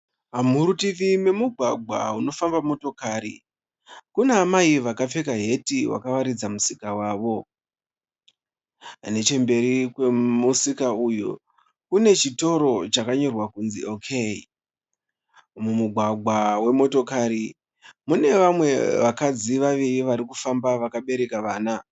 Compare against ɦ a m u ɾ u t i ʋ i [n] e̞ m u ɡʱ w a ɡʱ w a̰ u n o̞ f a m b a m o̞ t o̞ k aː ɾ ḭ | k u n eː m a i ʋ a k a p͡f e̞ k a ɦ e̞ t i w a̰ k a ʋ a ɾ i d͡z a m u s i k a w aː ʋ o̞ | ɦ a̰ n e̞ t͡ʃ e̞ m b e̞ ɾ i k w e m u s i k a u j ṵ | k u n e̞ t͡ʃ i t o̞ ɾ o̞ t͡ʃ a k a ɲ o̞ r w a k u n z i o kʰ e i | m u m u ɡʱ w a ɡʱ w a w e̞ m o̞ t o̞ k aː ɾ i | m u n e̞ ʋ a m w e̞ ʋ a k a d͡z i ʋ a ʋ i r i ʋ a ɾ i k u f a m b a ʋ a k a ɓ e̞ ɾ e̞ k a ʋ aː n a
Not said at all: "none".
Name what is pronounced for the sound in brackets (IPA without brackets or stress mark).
m